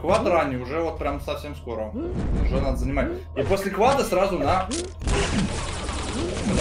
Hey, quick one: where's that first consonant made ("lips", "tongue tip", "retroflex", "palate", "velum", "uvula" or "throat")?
velum